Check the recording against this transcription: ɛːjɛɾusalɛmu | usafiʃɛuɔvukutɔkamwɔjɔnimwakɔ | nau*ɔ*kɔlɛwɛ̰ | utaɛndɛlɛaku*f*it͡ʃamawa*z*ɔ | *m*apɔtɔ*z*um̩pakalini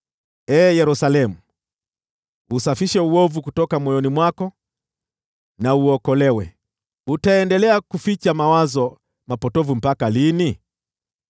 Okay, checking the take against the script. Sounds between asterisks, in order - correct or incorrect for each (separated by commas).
correct, correct, correct, correct, incorrect